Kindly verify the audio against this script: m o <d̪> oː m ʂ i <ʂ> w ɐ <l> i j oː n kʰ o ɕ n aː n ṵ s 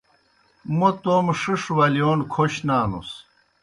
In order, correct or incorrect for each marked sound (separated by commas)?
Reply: incorrect, correct, correct